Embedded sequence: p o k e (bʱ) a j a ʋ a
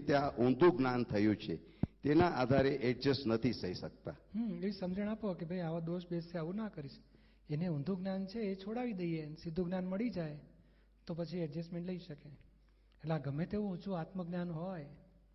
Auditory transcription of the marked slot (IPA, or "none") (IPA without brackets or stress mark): bʱ